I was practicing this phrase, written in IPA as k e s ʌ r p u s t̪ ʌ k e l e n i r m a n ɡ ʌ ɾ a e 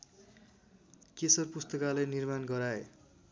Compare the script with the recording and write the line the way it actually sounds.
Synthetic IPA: k e s ʌ r p u s t̪ ʌ k a l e n i r m a n ɡ ʌ ɾ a e